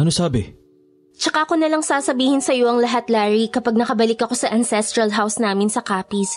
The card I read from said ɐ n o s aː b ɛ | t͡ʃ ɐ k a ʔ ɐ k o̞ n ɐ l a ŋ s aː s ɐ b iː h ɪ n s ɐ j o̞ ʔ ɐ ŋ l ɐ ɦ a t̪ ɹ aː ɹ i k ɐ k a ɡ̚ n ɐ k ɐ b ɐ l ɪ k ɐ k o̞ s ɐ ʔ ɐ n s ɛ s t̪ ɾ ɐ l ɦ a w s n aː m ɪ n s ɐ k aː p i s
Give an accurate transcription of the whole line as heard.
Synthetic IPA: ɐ n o s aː b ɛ | t͡ʃ ɐ k a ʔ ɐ k o̞ n ɐ l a ŋ s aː s ɐ b iː h ɪ n s ɐ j o̞ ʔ ɐ ŋ l ɐ ɦ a t̪ l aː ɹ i k ɐ p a ɡ̚ n ɐ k ɐ b ɐ l ɪ k ɐ k o̞ s ɐ ʔ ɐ n s ɛ s t̪ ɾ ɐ l ɦ a w s n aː m ɪ n s ɐ k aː p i s